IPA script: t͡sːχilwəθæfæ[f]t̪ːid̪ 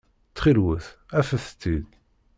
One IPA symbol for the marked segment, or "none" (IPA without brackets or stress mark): θ